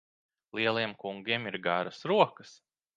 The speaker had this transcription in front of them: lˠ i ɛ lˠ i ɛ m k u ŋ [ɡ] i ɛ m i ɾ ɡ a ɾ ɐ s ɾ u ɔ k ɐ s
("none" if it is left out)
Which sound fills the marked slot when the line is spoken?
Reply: ɡ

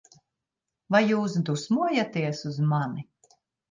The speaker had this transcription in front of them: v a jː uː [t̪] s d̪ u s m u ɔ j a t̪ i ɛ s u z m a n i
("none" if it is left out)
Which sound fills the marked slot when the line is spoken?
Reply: none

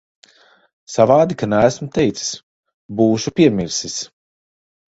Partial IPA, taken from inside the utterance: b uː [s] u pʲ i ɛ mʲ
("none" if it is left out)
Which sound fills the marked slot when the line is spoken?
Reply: ʃ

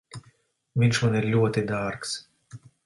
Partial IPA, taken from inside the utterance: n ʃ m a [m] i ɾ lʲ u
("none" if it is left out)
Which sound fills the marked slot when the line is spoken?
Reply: n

